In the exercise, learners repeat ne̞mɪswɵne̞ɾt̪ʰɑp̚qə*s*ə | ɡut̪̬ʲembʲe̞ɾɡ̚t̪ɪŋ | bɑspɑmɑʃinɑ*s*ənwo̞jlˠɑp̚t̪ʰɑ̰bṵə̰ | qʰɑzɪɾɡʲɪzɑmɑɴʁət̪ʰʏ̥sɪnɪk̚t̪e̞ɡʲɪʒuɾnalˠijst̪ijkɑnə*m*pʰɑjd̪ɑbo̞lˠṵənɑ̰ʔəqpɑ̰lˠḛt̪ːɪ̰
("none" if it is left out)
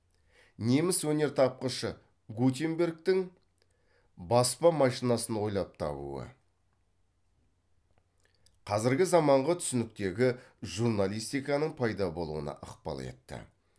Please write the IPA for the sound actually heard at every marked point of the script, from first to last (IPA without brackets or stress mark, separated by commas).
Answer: ʃ, s, ɴ